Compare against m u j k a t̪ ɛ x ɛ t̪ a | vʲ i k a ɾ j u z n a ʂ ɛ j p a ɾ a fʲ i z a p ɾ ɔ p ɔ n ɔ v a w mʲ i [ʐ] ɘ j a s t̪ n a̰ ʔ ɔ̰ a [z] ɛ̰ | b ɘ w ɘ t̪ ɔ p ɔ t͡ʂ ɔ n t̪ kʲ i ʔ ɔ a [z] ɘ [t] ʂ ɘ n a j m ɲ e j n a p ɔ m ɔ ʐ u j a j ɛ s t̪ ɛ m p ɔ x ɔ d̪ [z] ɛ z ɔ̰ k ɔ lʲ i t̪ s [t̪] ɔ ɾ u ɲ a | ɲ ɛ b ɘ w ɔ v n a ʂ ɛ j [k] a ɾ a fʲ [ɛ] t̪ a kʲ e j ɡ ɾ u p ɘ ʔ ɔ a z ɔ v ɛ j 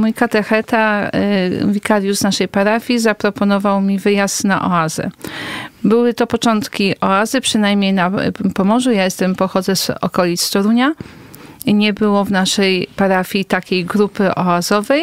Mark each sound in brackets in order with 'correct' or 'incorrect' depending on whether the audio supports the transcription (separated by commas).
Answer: incorrect, correct, correct, incorrect, correct, correct, incorrect, incorrect